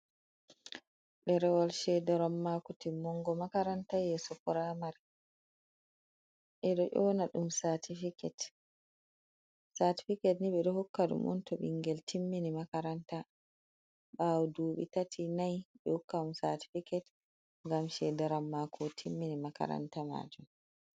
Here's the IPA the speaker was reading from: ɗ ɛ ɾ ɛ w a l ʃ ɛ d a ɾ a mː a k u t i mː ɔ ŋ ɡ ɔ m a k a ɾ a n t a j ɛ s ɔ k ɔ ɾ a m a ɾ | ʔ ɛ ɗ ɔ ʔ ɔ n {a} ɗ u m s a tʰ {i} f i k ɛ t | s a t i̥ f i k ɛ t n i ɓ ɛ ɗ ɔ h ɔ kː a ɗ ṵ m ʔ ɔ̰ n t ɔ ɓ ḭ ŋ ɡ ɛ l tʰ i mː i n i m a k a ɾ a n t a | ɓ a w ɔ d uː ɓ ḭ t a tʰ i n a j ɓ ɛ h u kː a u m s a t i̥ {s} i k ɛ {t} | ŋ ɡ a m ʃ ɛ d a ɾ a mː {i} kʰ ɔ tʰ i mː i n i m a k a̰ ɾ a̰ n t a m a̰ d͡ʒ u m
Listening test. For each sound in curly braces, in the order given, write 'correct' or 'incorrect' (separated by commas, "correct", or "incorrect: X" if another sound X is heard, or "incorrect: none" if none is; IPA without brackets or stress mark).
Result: correct, correct, incorrect: f, correct, incorrect: a